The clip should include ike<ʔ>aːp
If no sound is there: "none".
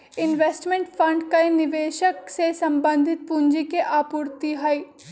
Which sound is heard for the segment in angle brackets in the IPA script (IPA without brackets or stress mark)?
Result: ʔ